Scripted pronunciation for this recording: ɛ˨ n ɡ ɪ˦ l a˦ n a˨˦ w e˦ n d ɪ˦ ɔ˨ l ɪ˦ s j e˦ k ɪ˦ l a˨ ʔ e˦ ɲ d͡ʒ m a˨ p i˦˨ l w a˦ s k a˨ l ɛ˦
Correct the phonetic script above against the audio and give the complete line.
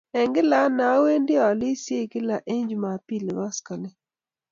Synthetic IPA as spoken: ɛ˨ ŋ ɡ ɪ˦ l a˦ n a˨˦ w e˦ n d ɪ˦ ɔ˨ l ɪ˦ s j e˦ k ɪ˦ l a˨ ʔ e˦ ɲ d͡ʒ m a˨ p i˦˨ l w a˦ s k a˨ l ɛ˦